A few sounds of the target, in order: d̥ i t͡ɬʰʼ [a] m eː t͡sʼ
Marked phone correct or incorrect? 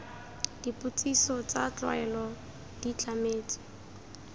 correct